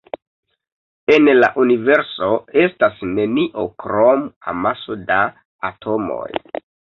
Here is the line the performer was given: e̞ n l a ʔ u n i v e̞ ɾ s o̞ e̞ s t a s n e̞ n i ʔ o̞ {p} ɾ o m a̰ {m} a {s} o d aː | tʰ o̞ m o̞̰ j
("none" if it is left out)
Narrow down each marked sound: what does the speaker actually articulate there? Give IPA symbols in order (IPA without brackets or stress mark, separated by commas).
k, m, s